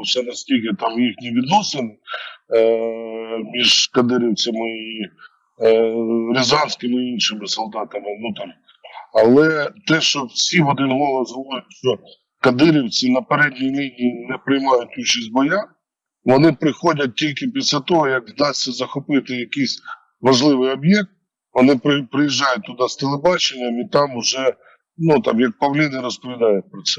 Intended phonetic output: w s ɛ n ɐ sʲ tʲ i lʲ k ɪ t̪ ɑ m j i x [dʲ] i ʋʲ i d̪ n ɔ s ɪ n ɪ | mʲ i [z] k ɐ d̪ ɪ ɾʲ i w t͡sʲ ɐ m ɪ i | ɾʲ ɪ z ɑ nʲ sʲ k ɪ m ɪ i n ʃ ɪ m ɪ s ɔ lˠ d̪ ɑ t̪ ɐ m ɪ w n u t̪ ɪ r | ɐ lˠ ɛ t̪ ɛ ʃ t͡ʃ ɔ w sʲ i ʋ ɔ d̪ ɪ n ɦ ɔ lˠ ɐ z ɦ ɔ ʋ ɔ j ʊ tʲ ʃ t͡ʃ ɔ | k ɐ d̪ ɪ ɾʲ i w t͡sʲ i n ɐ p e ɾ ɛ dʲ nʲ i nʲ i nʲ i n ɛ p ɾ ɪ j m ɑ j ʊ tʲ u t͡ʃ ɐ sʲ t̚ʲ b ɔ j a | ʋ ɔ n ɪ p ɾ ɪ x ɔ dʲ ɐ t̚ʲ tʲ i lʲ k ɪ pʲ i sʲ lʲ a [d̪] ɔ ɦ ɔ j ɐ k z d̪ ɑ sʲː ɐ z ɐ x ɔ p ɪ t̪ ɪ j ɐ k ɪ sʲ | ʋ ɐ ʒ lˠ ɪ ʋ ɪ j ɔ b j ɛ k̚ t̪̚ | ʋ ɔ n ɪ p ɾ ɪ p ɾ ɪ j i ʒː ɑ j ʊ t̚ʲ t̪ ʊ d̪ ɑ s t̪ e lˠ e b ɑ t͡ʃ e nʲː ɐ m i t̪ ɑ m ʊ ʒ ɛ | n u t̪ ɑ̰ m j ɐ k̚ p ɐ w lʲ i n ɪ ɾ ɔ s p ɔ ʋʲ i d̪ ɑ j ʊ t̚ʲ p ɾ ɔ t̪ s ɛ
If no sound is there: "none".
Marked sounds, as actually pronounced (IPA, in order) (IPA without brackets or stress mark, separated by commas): nʲ, ʒ, t̪